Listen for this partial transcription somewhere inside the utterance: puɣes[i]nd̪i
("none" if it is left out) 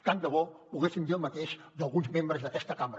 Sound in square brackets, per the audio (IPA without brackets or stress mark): i